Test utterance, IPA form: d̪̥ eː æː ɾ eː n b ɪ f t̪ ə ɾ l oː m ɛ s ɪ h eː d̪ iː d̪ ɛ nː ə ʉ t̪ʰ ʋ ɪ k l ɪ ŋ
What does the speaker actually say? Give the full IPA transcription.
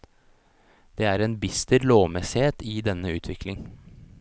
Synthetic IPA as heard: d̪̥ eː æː ɾ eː n b ɪ s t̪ ə ɾ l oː m ɛ s ɪ h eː t̪ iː d̪ ɛ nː ə ʉː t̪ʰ ʋ ɪ k l ɪ ŋ